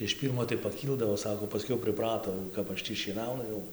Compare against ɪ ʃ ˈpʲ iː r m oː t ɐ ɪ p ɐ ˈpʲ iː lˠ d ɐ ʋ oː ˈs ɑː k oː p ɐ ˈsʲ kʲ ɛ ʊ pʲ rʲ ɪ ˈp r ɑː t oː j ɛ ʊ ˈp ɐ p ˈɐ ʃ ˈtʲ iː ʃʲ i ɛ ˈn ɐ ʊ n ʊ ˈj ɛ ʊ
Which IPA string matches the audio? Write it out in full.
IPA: ɪ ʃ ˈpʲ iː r m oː t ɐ ɪ p ɐ ˈkʲ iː lˠ d ɐ ʋ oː ˈs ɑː k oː p ɐ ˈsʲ kʲ ɛ ʊ pʲ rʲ ɪ ˈp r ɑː t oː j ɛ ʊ ˈk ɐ p ˈɐ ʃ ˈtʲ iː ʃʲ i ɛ ˈn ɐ ʊ n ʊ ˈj ɛ ʊ